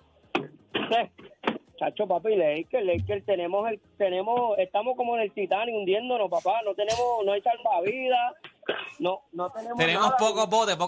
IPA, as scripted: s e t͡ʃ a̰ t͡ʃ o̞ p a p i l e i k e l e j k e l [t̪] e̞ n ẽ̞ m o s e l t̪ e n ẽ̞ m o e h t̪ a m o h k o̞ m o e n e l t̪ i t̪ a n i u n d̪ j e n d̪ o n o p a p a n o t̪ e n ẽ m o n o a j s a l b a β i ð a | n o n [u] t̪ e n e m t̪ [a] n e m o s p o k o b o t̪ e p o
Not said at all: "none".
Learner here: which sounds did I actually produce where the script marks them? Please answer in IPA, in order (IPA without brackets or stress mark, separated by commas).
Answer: t̪, o, e